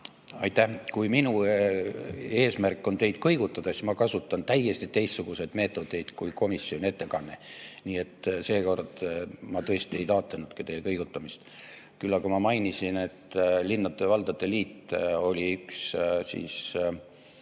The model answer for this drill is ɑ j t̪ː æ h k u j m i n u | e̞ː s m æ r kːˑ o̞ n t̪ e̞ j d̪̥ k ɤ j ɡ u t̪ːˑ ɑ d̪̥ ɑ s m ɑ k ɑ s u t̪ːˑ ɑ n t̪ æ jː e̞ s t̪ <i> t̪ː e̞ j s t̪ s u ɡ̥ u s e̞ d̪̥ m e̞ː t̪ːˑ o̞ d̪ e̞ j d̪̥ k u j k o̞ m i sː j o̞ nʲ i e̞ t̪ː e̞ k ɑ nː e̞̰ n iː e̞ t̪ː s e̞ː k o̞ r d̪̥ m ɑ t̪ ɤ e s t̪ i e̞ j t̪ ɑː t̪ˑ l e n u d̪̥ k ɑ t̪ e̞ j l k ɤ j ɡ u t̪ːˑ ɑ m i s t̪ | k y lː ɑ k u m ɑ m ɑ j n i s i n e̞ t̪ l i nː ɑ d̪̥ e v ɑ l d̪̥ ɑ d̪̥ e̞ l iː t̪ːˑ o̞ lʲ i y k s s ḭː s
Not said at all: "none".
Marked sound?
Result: i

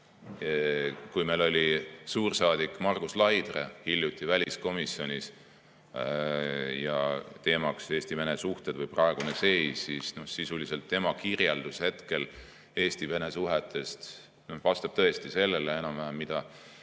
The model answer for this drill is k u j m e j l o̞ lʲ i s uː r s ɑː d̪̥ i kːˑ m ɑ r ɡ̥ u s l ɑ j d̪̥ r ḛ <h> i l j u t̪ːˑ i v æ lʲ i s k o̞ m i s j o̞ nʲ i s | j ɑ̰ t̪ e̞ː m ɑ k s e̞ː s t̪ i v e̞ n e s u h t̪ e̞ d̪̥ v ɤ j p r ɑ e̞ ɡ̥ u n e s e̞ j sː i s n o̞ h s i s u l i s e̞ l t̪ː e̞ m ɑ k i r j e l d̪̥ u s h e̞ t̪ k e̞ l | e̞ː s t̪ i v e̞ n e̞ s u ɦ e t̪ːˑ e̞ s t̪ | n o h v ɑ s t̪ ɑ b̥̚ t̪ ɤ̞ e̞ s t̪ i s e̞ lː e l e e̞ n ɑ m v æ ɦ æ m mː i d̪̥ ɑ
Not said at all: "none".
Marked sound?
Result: h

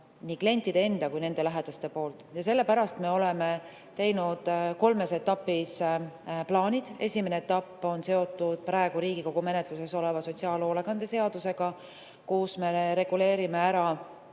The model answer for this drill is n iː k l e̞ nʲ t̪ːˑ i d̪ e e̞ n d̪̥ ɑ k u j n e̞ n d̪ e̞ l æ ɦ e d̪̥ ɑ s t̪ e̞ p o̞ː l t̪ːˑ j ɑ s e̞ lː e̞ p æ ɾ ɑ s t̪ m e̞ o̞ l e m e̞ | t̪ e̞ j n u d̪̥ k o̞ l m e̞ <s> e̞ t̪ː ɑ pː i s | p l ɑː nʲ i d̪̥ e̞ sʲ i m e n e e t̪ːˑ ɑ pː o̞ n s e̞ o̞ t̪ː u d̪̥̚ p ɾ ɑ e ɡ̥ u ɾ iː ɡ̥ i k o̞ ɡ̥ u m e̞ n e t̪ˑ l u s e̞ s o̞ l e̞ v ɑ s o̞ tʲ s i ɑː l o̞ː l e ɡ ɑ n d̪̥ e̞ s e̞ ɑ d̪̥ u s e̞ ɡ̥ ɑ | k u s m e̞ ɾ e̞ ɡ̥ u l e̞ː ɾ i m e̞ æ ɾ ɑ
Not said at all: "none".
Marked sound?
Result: s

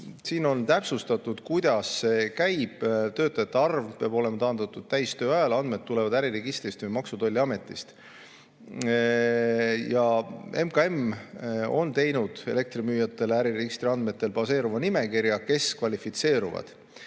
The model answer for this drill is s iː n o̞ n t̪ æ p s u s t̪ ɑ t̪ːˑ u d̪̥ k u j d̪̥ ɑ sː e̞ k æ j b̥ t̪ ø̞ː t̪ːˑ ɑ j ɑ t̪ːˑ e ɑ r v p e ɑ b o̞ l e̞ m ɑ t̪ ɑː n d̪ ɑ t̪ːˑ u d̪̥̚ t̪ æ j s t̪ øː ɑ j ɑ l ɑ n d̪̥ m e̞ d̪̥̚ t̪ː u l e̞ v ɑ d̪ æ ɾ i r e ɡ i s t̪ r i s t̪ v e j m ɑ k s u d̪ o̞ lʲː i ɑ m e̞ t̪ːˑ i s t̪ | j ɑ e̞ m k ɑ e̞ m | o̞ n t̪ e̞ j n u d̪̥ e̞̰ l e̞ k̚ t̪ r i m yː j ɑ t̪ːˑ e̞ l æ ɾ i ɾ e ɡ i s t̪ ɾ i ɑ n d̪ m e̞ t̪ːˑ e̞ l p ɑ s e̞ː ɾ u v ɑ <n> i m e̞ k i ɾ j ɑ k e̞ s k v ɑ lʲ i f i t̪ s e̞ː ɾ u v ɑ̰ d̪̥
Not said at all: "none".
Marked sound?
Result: n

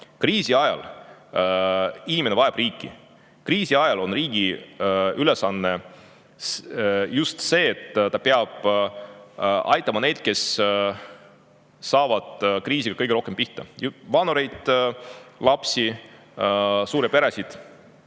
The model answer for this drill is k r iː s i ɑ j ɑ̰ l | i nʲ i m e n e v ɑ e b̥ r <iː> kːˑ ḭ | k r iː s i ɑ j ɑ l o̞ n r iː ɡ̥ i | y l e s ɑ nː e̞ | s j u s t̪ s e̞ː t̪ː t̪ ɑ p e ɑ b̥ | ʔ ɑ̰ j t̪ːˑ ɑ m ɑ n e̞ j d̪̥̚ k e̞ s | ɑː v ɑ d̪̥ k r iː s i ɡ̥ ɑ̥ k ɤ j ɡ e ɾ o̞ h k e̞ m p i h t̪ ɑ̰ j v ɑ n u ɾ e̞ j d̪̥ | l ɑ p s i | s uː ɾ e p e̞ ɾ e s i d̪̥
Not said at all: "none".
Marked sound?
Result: iː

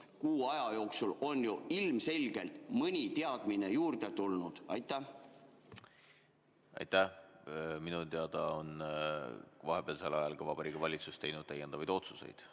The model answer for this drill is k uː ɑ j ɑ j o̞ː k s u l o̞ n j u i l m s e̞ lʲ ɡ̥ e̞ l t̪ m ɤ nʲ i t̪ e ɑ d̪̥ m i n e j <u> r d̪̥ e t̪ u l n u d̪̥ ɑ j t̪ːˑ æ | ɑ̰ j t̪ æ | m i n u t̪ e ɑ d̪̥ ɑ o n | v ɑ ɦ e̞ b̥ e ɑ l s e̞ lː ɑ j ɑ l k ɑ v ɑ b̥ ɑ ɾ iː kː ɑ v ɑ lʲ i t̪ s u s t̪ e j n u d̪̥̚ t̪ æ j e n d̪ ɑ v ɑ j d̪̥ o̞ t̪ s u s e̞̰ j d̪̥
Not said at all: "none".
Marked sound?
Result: uː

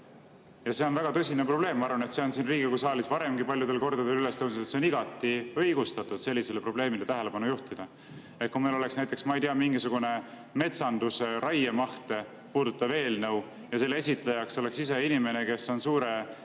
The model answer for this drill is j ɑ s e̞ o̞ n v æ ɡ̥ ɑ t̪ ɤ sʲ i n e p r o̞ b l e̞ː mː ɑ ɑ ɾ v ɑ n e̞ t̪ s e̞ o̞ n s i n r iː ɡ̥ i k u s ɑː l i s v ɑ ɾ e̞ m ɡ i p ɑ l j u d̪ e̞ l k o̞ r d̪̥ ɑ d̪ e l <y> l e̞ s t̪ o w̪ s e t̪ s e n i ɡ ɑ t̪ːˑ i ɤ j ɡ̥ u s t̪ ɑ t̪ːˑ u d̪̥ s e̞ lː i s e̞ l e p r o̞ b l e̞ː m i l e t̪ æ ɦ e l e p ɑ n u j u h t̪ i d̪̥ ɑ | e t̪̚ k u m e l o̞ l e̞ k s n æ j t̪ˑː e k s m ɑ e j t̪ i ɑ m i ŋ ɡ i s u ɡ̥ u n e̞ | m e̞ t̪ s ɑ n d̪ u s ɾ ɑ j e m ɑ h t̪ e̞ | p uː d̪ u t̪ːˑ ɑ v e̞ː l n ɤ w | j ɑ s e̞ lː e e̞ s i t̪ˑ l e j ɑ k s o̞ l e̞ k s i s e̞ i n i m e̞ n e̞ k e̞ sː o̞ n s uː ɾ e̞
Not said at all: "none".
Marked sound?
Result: y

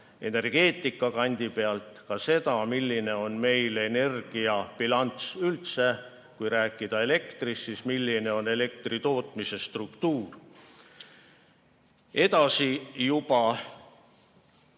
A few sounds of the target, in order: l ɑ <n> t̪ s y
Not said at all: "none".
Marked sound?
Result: n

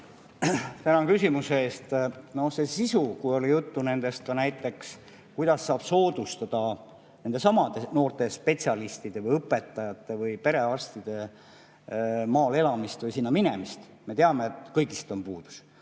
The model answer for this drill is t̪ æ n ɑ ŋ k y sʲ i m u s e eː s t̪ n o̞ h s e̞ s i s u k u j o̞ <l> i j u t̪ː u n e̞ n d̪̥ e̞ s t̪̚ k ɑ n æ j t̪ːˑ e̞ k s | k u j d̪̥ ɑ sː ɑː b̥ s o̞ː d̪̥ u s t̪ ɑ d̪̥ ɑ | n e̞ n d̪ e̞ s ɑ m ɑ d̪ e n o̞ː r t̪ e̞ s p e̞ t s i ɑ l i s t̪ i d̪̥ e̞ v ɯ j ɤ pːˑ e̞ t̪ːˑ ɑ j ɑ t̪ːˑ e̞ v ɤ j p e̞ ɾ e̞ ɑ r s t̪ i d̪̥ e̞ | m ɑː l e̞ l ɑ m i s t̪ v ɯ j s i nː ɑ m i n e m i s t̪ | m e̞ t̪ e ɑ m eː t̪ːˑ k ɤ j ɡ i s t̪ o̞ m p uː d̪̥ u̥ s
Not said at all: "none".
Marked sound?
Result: l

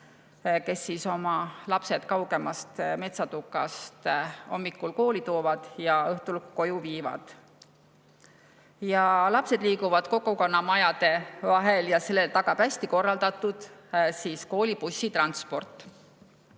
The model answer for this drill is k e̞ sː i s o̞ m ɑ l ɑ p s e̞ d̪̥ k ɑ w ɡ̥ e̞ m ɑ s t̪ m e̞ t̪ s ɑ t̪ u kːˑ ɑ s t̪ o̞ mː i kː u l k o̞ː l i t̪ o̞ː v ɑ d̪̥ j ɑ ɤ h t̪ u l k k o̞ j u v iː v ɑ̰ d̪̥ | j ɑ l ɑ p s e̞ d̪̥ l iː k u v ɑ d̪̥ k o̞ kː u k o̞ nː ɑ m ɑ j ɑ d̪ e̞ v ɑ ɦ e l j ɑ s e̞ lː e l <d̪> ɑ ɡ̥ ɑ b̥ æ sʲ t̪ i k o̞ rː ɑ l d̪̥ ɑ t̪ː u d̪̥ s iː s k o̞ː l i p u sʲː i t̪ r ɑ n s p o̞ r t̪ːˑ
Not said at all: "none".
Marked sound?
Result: t̪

